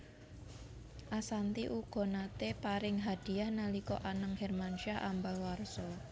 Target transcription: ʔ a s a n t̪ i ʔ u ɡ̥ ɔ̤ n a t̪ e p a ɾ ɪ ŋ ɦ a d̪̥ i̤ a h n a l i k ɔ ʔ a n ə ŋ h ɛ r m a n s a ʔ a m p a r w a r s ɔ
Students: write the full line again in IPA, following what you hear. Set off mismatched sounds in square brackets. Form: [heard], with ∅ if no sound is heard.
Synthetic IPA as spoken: ʔ a s a n t̪ i ʔ u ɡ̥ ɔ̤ n a t̪ e p a ɾ ɪ ŋ ɦ a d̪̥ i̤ a h n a l i k ɔ ʔ a n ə ŋ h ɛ r m a n [ʃ] a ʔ a m [b] a [l] w a r s ɔ